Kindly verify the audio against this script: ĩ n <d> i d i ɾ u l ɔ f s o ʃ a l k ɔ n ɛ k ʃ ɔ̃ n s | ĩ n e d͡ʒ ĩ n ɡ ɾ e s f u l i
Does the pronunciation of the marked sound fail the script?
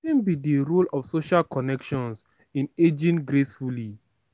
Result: yes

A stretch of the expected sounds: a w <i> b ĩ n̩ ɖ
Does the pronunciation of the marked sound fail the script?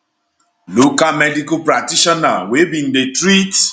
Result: yes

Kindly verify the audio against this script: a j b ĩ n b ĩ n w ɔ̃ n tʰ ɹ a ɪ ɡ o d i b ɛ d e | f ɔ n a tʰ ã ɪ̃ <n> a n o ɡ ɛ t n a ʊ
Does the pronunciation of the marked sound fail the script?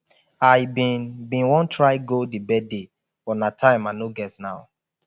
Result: yes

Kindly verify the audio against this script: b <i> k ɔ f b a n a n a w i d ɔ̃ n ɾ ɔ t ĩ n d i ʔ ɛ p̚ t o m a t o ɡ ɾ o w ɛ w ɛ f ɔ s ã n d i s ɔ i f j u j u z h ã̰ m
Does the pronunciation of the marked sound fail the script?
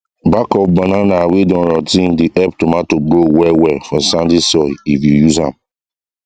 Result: yes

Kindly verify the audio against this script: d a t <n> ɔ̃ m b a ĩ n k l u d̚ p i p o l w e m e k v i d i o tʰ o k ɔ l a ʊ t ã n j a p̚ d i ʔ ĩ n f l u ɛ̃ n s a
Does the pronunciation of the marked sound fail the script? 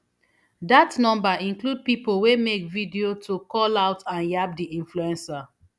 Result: no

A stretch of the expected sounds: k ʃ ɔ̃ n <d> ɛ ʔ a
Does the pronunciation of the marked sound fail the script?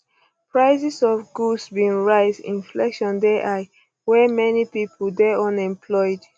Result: no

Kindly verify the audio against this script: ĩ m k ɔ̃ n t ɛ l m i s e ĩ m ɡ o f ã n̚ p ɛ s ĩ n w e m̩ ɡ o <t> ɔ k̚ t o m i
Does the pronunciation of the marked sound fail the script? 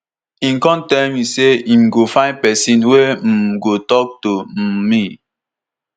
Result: no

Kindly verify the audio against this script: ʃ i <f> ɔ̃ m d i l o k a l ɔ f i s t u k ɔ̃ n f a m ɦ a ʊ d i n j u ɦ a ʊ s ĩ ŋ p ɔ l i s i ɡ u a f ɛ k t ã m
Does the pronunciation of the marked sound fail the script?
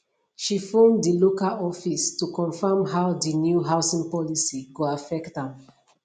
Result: no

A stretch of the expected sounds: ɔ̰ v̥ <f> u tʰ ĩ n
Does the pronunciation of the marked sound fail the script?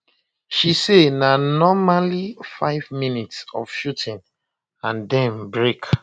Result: yes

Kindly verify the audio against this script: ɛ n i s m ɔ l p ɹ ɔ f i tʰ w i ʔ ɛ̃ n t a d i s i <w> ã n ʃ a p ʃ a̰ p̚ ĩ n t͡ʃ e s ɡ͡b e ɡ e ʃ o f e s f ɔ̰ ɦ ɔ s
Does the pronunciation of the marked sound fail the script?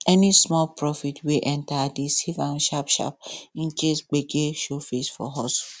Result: yes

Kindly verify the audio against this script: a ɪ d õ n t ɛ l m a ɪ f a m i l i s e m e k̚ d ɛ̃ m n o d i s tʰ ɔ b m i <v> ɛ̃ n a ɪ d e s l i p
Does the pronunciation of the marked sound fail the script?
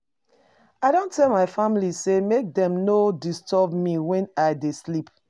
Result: yes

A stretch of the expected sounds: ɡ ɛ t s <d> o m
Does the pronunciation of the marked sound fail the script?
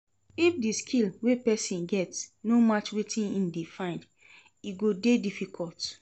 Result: yes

